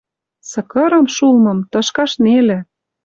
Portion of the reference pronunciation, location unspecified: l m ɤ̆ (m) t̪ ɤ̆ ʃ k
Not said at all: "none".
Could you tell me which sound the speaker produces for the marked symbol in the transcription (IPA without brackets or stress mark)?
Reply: m